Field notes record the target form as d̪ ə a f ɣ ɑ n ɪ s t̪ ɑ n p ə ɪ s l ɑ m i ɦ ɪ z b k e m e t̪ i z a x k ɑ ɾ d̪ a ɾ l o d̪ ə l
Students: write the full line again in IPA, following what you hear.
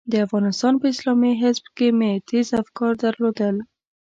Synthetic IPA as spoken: d̪ ə a f ɣ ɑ n ɪ s t̪ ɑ n p ə ɪ s l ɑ m i ɦ ɪ z b k e m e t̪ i z a f k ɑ ɾ d̪ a ɾ l o d̪ ə l